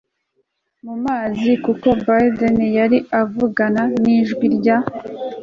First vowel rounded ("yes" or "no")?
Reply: yes